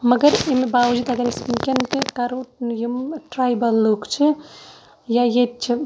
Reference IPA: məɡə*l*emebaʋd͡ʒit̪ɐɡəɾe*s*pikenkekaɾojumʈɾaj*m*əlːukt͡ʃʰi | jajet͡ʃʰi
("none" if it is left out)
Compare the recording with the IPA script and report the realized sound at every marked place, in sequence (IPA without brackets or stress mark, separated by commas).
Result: ɾ, s, b